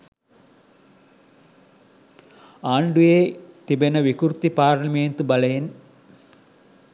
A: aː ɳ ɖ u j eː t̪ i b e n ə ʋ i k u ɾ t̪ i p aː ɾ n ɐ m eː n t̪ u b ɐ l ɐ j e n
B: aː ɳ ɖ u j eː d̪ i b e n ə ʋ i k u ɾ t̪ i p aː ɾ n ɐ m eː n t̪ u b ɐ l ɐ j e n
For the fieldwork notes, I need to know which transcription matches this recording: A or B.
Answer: A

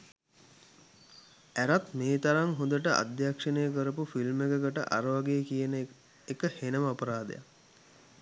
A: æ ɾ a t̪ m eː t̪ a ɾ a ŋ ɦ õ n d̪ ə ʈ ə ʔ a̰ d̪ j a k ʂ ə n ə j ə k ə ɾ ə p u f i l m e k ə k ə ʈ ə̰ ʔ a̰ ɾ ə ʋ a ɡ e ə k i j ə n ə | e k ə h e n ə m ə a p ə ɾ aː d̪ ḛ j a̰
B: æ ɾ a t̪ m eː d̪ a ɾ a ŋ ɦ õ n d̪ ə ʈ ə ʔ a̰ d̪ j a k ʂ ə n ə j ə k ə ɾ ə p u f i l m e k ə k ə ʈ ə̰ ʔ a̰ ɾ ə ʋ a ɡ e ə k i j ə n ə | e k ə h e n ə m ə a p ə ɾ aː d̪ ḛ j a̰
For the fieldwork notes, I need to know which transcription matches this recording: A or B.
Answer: A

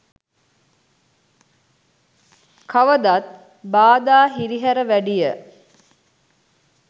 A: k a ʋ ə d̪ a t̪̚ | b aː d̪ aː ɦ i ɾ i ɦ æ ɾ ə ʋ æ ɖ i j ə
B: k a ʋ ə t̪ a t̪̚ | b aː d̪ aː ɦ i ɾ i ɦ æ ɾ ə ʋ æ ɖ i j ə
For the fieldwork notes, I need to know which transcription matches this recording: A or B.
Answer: A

